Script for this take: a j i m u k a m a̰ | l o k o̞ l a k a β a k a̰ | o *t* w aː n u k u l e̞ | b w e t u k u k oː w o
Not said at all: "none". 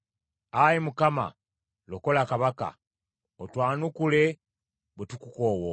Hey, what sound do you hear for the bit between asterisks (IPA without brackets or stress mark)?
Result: t